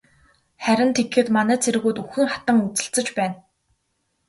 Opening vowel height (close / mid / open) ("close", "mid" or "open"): open